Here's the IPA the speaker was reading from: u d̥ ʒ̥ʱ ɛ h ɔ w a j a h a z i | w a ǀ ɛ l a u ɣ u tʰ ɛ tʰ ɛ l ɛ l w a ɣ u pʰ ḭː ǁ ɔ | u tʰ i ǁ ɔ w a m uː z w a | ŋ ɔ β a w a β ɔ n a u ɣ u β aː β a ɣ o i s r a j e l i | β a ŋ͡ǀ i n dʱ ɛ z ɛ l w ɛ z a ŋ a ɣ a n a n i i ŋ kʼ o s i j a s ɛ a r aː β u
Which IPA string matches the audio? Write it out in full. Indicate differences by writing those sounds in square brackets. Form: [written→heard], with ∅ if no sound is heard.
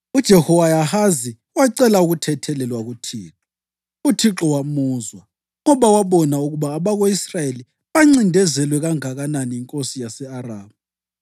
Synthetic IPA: u d̥ ʒ̥ʱ ɛ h ɔ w a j a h a z i | w a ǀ ɛ l a u ɣ u tʰ ɛ tʰ ɛ l ɛ l w a ɣ u [pʰ→tʰ] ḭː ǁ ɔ | u tʰ i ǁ ɔ w a m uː z w a | ŋ ɔ β a w a β ɔ n a u ɣ u β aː β a ɣ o i s r a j e l i | β a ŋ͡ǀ i n dʱ ɛ z ɛ l w ɛ [z→ɣ] a ŋ a ɣ a n a n i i ŋ kʼ o s i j a s ɛ a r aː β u